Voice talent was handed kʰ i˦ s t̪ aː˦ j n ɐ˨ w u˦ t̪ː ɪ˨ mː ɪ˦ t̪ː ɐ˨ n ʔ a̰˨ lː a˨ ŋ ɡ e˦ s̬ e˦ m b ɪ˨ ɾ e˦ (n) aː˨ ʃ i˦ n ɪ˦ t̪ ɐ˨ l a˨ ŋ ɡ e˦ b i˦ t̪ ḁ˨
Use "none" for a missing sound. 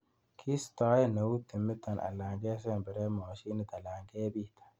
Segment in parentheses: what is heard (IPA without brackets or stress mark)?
m